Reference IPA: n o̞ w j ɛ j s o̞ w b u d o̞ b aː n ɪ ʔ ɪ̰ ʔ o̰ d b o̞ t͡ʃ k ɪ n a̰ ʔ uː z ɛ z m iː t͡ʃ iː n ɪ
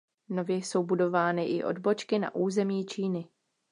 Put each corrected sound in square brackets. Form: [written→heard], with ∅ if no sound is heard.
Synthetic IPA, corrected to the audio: n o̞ [w→v] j ɛ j s o̞ w b u d o̞ [b→v] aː n ɪ ʔ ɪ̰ ʔ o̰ d b o̞ t͡ʃ k ɪ n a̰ ʔ uː z ɛ [z→∅] m iː t͡ʃ iː n ɪ